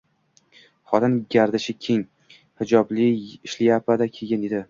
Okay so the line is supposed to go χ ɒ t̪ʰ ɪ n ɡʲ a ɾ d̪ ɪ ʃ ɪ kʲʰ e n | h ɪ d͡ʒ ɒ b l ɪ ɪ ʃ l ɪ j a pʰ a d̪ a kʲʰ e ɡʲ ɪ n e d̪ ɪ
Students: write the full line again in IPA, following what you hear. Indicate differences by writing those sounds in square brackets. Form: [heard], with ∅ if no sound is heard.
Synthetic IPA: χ ɒ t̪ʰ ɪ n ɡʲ a ɾ d̪ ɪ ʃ ɪ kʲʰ e [ŋ] | h ɪ d͡ʒ ɒ b l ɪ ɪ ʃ l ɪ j a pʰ a d̪ a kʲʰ e ɡʲ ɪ n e d̪ ɪ